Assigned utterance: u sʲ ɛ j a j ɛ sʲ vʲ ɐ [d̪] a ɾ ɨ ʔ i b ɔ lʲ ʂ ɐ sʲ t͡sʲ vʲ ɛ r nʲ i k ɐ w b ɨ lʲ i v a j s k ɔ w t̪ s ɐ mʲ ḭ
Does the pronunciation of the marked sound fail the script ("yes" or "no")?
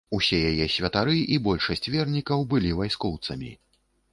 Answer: yes